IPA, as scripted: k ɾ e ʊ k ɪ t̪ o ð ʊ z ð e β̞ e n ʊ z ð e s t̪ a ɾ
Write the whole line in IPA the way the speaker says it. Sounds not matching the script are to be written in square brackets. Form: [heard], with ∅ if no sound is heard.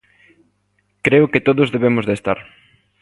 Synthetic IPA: k ɾ e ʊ k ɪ t̪ o ð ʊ z ð e β̞ e [m] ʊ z ð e s t̪ a ɾ